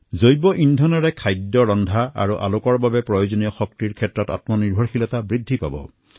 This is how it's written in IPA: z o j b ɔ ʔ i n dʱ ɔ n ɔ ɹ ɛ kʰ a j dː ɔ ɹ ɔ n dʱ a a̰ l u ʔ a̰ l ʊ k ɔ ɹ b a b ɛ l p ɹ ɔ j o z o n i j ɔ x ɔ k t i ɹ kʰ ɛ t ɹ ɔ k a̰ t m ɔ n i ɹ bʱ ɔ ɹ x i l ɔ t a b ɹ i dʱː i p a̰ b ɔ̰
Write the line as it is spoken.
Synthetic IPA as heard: z o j b ɔ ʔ i n dʱ ɔ n ɔ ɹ ɛ kʰ a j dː ɔ ɹ ɔ n dʱ a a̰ ɹ u ʔ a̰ l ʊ k ɔ ɹ b a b ɛ p ɹ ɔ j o z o n i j ɔ x ɔ k t i ɹ kʰ ɛ t ɹ ɔ t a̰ t m ɔ n i ɹ bʱ ɔ ɹ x i l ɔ t a b ɹ i dʱː i p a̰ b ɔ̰